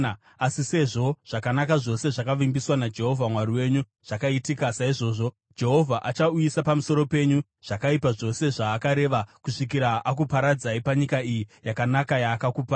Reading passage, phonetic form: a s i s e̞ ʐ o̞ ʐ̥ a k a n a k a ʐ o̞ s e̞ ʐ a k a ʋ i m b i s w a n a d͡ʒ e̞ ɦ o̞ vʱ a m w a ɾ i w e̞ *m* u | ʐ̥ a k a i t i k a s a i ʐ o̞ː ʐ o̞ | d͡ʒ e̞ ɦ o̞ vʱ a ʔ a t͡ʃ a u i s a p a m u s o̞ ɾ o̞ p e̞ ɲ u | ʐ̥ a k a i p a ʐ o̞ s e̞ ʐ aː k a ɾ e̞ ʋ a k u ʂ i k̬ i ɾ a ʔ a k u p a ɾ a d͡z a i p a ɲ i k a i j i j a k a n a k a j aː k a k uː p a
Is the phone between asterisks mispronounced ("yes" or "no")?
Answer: yes